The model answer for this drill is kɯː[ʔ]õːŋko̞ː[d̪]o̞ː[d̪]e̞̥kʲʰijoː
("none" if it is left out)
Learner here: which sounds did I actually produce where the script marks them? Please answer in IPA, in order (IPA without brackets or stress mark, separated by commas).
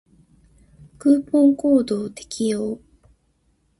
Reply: p, d̪, t̪